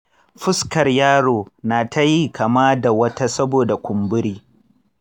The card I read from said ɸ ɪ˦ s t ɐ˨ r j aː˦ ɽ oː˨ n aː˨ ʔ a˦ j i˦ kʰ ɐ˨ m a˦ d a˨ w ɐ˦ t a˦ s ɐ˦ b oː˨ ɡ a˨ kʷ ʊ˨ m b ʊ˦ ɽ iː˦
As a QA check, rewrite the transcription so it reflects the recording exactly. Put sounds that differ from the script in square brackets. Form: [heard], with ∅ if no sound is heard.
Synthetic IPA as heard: ɸ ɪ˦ s [k] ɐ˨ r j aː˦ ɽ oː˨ n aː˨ [t] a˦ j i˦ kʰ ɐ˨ m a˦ d a˨ w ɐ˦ t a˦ s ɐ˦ b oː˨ [d] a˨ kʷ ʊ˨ m b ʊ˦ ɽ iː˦